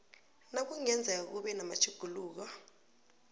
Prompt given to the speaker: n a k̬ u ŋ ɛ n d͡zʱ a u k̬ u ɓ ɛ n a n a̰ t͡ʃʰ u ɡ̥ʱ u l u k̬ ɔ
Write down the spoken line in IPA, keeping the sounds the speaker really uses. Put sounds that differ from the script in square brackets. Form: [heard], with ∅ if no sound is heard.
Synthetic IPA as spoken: n a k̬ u ŋ ɛ n d͡zʱ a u k̬ u ɓ ɛ n a [m] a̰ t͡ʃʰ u ɡ̥ʱ u l [uː] k̬ ɔ

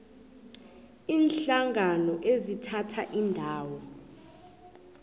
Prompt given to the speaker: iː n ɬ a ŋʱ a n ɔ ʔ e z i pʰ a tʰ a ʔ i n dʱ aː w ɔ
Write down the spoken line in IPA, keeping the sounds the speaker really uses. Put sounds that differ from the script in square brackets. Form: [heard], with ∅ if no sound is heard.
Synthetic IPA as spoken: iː n ɬ a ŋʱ a n ɔ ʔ e z i [tʰ] a tʰ a ʔ i n dʱ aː w ɔ

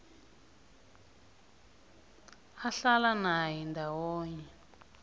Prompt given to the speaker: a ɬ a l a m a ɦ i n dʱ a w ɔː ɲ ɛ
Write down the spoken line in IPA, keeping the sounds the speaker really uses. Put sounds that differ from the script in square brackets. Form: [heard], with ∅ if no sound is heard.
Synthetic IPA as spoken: a ɬ a l a [n] a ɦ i n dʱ a w ɔː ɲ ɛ

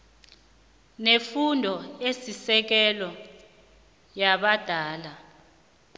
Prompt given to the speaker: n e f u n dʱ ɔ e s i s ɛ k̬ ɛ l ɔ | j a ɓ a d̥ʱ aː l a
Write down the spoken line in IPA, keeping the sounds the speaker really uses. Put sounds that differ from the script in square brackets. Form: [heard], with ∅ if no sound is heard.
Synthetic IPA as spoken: n e f u n dʱ ɔ e s i s ɛ k̬ ɛ l ɔ | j a ɓ a d̥ʱ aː l a

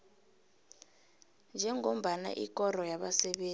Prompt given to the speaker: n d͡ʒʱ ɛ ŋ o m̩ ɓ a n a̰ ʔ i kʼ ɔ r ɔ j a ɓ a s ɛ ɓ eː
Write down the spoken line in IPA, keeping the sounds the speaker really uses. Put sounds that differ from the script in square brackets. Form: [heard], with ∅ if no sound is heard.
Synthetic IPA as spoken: n d͡ʒʱ ɛ ŋ o m̩ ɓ a n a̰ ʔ i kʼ ɔ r ɔ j a ɓ a s ɛ ɓ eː

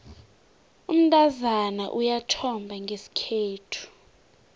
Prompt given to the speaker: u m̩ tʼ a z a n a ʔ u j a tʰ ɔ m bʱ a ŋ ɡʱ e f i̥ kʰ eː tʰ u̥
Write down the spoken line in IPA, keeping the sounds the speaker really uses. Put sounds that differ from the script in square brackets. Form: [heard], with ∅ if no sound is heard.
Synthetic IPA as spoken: u m̩ tʼ a z a n a ʔ u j a tʰ ɔ m bʱ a ŋ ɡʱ e [s] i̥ kʰ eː tʰ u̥

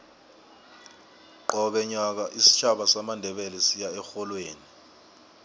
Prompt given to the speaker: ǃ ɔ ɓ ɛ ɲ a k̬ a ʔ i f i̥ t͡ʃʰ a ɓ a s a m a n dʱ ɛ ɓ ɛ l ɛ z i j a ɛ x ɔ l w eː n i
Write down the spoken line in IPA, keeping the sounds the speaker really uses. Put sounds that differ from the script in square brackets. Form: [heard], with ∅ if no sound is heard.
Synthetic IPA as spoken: ǃ ɔ ɓ ɛ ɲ a k̬ a ʔ i [s] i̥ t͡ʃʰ a ɓ a s a m a n dʱ ɛ ɓ ɛ l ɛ [s] i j a ɛ x ɔ l w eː n i

